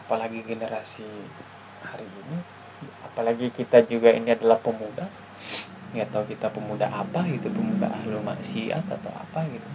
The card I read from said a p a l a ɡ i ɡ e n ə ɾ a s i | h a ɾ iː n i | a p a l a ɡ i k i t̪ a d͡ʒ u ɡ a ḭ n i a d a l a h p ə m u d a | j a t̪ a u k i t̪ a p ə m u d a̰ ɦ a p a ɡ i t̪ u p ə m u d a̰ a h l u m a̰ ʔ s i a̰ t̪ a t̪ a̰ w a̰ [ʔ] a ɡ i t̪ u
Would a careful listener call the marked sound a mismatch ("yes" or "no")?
yes